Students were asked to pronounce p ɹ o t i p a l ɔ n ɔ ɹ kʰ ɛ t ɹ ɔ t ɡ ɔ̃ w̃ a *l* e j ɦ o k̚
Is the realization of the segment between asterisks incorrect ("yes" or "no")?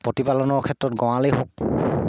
no